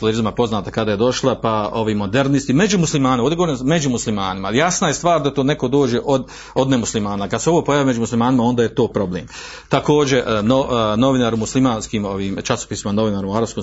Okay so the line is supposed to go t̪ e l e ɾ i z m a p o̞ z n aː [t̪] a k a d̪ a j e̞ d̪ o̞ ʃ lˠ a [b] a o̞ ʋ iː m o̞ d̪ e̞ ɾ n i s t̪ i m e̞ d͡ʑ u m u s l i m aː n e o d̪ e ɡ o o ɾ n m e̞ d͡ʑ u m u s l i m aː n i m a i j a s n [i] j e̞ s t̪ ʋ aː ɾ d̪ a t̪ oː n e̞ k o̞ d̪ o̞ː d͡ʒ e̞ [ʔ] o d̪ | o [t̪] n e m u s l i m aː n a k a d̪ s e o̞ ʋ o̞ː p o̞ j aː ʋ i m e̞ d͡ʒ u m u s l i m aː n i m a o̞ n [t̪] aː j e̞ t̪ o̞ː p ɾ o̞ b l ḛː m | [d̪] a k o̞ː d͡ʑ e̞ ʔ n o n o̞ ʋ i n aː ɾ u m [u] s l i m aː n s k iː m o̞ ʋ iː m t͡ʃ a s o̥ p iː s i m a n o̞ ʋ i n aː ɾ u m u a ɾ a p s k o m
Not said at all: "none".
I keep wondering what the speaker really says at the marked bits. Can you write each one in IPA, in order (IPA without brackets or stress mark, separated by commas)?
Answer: t̪, p, a, ʔ, d̪, d̪, t̪, u